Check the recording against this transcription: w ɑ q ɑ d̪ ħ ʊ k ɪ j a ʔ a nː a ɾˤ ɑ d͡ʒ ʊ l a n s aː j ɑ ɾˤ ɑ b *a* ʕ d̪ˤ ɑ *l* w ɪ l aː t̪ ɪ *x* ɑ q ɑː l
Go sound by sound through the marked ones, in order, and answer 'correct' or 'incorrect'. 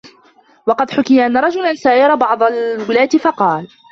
incorrect, correct, incorrect

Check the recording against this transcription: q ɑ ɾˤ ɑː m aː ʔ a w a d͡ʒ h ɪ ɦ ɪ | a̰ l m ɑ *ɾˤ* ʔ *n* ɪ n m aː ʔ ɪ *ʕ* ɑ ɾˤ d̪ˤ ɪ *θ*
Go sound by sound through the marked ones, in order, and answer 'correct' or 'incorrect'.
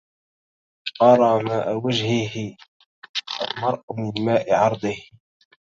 correct, incorrect, correct, incorrect

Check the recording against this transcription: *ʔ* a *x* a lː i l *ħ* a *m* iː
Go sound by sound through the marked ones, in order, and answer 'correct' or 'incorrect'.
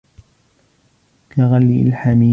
incorrect, incorrect, correct, correct

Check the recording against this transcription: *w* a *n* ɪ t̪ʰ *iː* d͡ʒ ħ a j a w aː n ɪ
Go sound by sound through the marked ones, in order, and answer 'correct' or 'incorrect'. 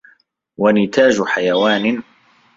correct, correct, incorrect

